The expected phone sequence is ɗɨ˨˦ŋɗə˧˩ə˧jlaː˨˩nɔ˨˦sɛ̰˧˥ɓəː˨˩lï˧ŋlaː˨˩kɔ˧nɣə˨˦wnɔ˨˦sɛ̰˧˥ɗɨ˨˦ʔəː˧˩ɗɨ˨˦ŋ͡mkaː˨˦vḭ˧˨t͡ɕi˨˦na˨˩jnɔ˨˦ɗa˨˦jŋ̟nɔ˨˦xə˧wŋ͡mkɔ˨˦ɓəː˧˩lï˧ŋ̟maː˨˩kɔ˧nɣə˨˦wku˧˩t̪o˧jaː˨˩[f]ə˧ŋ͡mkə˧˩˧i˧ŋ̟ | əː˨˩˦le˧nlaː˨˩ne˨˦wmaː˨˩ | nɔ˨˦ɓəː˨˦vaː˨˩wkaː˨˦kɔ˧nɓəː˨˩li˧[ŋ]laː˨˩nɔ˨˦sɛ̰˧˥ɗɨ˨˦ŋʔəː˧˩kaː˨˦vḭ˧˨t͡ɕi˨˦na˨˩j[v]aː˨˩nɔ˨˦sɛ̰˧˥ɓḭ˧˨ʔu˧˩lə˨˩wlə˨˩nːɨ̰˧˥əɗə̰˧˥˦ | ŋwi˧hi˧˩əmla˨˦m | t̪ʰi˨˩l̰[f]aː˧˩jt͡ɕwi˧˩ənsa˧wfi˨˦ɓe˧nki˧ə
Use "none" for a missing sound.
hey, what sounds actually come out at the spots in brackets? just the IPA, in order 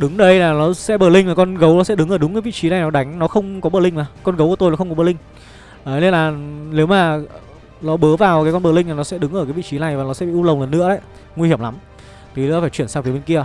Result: x, ŋ, v, f

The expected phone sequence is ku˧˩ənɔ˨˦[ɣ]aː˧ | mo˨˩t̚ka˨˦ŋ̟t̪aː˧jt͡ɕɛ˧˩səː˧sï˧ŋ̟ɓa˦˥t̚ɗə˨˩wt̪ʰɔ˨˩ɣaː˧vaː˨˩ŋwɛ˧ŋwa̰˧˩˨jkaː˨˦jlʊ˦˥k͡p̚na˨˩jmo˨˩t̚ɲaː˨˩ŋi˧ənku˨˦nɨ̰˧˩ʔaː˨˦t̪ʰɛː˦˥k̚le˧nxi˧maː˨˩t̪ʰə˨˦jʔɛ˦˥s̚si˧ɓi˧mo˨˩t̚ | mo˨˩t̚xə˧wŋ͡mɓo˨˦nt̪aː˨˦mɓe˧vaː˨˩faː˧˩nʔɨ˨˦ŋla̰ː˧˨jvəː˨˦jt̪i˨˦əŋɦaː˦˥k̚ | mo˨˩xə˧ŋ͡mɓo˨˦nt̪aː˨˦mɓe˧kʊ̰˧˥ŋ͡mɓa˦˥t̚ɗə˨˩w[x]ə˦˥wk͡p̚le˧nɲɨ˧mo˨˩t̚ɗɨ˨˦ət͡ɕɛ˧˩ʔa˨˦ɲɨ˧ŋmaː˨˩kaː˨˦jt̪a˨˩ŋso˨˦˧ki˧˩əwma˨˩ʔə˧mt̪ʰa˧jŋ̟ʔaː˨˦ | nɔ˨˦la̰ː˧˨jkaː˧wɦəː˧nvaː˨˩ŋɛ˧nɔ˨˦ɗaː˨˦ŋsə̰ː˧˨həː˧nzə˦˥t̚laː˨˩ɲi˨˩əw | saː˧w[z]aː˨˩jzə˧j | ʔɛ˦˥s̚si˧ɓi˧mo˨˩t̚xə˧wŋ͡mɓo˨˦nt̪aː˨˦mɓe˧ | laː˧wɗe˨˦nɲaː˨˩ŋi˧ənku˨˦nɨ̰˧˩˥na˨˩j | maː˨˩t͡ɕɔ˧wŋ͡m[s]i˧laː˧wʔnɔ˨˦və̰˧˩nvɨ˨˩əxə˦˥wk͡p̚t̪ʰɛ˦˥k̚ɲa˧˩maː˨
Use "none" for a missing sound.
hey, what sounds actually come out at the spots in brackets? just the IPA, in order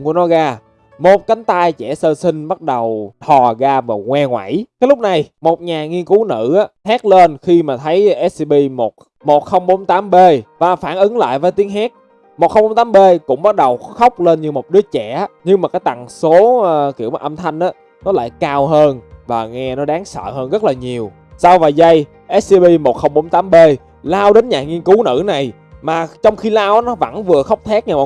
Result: ɣ, x, v, x

